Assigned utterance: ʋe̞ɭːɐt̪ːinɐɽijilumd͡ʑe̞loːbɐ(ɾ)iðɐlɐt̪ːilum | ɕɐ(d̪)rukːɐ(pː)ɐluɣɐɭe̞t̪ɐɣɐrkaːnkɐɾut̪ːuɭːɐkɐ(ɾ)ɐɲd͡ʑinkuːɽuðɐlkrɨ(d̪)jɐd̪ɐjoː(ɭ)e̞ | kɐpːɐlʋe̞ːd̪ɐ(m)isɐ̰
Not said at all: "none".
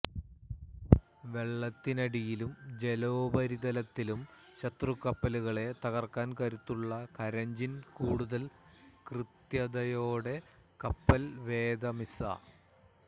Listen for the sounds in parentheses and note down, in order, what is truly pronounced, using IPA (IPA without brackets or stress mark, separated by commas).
ɾ, t̪, pː, ɾ, t̪, ɽ, m